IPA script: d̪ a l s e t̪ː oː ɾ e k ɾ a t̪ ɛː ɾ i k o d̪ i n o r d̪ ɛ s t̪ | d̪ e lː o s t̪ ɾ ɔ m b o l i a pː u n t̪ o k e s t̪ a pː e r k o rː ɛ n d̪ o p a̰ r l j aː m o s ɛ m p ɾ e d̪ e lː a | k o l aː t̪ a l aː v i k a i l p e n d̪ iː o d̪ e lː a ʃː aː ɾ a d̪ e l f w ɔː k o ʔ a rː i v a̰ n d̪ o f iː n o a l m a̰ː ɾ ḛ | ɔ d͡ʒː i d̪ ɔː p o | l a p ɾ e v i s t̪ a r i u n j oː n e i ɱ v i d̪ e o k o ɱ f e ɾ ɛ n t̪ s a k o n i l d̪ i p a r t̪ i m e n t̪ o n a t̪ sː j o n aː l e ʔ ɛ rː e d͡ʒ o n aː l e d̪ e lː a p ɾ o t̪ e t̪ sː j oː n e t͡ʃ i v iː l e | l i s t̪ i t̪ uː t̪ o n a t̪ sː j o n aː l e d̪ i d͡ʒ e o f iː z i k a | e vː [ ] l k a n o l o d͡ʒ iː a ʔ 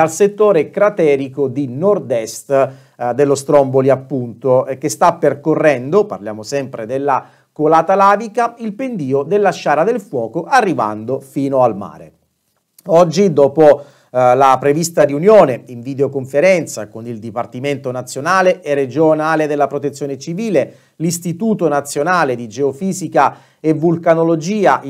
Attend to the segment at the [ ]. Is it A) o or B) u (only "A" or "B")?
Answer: B